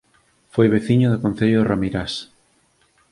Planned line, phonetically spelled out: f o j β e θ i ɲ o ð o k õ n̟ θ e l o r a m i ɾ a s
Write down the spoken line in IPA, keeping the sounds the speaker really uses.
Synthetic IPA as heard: f o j β e θ i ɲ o ð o k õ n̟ θ e ʎ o r a m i ɾ a s